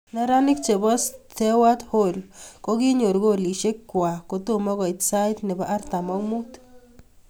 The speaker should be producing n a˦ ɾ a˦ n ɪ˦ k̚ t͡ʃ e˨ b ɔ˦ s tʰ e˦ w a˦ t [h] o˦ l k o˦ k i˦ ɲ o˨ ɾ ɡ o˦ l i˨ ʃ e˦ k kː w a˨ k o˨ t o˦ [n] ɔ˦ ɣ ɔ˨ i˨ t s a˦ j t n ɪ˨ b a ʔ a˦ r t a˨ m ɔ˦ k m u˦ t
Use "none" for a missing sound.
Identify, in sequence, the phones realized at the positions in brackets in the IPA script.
h, m

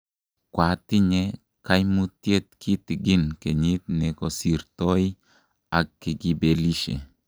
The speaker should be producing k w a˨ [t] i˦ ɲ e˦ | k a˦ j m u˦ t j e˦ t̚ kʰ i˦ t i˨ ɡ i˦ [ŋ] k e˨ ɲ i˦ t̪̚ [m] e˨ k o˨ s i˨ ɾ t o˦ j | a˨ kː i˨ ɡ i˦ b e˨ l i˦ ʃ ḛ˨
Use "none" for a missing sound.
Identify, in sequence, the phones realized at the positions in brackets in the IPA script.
t, n, n

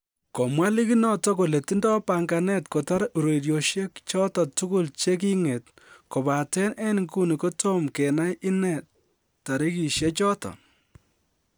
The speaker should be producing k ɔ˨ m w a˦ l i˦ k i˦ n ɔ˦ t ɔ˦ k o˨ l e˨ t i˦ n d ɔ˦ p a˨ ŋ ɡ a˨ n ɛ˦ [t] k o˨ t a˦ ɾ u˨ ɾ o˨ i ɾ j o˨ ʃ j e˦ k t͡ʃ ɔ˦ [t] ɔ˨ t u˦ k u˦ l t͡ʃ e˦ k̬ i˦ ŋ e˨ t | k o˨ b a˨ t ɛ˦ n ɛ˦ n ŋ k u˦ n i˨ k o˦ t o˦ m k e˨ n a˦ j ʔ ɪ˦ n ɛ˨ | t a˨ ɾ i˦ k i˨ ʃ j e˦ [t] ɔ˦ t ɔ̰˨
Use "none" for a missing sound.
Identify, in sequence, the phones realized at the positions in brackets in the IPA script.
t, t, t͡ʃ

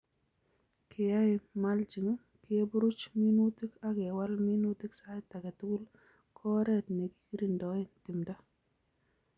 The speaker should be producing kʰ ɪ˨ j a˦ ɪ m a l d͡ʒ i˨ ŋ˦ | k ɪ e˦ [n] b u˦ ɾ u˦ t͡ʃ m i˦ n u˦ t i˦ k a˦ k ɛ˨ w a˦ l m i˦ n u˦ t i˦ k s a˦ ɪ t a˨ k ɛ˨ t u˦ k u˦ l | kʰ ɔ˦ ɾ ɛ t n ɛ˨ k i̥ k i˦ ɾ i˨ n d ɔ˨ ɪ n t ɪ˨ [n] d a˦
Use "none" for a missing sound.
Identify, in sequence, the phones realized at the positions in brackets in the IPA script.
none, m

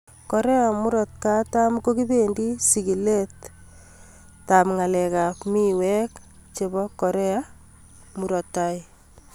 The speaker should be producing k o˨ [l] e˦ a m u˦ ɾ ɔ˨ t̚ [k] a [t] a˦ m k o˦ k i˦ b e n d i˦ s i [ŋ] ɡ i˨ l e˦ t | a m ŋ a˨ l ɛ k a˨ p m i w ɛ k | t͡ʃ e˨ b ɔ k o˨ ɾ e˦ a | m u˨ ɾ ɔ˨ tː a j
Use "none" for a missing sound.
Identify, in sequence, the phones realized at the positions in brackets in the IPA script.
ɾ, k, t, none

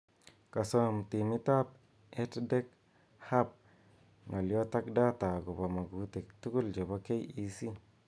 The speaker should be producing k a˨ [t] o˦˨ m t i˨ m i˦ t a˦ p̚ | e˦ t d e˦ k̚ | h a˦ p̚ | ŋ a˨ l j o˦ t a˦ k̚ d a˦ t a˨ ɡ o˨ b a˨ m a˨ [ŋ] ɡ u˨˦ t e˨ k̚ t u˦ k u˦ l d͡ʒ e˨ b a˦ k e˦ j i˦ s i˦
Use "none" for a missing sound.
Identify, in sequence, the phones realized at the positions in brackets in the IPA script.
s, none

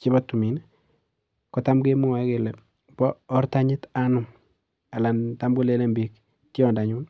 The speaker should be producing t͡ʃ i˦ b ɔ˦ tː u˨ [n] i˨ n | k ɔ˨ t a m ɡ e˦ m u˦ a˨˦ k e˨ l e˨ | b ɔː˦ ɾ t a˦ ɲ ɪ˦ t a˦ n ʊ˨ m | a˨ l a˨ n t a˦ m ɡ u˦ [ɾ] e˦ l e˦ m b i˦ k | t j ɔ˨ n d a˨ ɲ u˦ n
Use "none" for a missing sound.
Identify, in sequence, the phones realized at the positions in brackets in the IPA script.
m, l

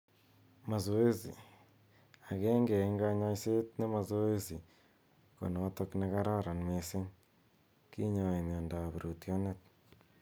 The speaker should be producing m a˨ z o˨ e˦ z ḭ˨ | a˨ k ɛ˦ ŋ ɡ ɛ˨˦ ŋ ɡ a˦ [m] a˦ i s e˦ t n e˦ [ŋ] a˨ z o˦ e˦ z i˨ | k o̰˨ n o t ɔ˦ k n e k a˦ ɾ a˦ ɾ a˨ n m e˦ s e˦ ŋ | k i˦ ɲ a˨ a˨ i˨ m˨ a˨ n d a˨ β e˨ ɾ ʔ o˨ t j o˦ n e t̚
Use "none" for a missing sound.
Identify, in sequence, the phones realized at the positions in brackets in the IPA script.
ɲ, m

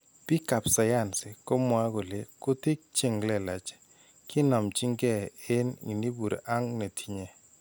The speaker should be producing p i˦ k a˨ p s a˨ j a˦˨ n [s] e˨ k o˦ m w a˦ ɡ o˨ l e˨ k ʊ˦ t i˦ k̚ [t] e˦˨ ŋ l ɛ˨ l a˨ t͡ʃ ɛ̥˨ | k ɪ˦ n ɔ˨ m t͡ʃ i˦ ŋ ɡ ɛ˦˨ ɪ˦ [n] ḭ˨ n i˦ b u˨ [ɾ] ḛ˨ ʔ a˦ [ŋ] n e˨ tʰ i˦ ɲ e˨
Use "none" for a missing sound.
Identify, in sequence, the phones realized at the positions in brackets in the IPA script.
s, t͡ʃ, n, ɾ, ŋ

